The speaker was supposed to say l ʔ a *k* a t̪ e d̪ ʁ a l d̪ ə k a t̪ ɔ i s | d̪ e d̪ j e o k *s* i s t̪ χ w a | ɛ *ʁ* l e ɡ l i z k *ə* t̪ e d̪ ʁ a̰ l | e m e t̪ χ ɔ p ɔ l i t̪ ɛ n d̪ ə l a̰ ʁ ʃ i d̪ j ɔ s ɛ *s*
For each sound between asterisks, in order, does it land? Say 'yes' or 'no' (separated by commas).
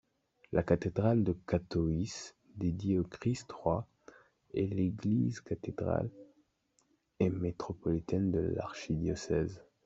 yes, no, no, no, no